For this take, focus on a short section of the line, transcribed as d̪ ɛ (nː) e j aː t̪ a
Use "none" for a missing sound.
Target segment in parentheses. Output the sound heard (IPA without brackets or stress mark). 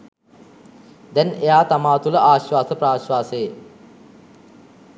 n